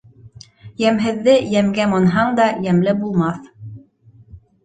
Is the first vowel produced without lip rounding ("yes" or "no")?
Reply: yes